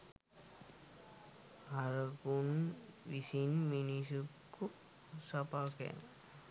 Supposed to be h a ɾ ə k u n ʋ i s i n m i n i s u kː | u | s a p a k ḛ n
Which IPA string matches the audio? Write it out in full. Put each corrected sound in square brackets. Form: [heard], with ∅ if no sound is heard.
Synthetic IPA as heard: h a ɾ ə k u n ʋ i s i n m i n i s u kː | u | s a p a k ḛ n